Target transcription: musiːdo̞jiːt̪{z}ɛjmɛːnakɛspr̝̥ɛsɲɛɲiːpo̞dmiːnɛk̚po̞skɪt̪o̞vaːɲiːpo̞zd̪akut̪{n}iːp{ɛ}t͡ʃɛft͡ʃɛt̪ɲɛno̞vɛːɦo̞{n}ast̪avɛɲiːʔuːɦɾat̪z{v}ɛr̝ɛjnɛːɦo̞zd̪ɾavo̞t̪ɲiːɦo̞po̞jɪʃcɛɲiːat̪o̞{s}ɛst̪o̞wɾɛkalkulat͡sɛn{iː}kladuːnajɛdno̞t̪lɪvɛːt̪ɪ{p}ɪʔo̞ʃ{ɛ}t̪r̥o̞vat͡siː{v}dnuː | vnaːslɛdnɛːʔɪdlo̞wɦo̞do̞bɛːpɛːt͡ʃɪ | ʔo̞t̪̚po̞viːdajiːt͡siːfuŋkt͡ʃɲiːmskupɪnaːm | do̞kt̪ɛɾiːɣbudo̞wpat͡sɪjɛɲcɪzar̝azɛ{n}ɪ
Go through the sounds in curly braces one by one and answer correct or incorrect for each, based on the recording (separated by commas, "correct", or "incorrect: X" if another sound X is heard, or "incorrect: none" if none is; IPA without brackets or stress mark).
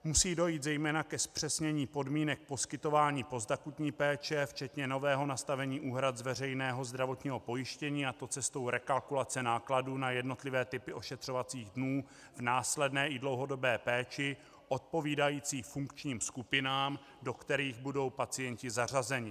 correct, incorrect: ɲ, incorrect: ɛː, correct, correct, incorrect: t͡s, incorrect: aː, correct, correct, incorrect: ɣ, incorrect: ɲ